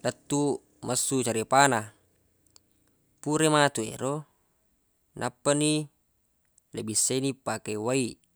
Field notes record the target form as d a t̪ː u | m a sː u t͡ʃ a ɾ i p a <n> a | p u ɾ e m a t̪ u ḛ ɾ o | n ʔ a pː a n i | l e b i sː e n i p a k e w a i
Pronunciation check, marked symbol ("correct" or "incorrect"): correct